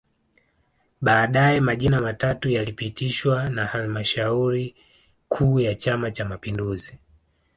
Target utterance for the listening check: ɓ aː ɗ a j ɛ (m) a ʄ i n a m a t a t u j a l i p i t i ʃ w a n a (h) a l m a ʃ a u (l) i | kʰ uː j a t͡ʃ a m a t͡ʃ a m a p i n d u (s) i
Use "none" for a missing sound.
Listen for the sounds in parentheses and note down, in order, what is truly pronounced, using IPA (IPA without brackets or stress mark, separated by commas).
m, h, ɾ, z